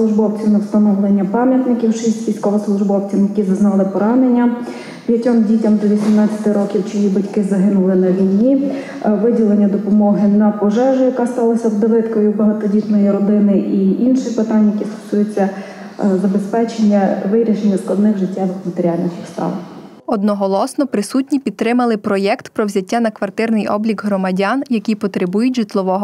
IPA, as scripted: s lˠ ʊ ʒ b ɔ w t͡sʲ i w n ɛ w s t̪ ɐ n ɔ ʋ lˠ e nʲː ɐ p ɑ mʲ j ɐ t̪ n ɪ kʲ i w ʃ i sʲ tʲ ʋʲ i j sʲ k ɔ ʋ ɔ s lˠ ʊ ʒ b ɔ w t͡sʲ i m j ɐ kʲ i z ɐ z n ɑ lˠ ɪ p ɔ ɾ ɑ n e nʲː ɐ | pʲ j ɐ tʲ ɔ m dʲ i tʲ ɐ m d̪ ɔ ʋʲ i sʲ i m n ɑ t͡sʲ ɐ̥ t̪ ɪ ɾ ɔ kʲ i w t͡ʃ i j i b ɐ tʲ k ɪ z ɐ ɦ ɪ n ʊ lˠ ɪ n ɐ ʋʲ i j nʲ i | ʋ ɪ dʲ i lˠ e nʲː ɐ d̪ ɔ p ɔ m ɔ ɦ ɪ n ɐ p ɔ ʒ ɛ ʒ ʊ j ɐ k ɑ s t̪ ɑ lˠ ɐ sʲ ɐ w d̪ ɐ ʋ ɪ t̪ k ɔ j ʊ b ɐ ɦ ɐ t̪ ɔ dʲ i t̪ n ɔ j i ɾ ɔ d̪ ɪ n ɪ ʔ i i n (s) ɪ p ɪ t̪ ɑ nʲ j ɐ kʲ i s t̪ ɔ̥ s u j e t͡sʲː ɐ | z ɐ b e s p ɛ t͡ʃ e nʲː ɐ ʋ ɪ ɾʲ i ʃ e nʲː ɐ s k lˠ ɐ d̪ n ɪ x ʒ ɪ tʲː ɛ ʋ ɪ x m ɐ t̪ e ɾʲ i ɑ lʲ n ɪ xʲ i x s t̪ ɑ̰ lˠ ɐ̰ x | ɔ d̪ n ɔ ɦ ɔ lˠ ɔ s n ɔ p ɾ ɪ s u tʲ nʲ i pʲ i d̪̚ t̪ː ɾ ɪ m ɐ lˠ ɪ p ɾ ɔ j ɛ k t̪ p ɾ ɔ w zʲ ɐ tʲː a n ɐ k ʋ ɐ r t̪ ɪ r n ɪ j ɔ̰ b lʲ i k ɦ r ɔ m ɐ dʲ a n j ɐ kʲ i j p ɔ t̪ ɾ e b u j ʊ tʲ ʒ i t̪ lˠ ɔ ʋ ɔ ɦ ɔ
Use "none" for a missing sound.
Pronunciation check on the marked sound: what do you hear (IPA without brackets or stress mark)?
ʃ